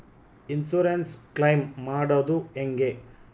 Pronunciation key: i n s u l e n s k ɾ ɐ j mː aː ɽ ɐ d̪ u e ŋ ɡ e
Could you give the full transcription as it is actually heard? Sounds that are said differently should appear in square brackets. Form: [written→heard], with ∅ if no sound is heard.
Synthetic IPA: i n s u [l→ɾ] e n s k [ɾ→l] ɐ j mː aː ɽ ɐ d̪ u e ŋ ɡ e